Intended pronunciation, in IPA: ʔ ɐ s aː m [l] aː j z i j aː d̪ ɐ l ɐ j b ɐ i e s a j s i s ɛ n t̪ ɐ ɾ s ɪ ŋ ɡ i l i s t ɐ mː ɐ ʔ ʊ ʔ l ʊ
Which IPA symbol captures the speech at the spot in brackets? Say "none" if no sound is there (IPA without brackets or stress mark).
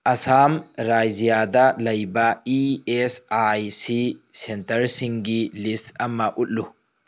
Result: ɾ